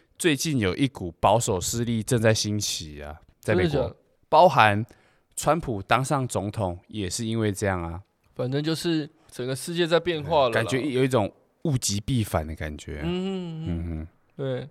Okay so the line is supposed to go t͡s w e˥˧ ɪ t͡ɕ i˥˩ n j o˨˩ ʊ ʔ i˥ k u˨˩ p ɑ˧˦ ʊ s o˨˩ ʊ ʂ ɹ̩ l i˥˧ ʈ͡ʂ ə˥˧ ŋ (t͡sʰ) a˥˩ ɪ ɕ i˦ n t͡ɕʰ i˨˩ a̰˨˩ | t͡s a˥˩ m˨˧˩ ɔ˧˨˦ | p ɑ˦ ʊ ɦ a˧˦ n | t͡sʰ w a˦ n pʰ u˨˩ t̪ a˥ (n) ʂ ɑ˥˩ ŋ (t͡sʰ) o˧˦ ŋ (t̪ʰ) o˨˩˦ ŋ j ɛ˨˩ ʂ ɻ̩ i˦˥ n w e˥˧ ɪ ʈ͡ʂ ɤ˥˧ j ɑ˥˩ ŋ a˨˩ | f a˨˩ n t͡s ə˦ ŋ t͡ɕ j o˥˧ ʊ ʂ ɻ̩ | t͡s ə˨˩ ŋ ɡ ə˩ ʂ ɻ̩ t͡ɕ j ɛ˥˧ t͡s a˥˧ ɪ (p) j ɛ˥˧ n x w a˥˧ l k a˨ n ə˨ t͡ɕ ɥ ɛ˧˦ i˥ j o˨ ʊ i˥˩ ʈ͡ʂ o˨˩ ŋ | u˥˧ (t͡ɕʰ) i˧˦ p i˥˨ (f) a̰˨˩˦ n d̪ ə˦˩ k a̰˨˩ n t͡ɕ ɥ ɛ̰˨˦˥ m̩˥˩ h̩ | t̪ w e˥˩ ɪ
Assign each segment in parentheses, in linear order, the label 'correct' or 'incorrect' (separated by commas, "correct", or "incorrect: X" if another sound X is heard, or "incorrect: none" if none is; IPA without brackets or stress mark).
incorrect: t͡s, incorrect: ŋ, incorrect: t͡s, correct, correct, incorrect: t͡ɕ, correct